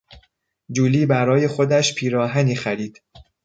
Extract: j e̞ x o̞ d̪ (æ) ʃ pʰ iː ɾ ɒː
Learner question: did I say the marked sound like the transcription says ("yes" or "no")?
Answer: yes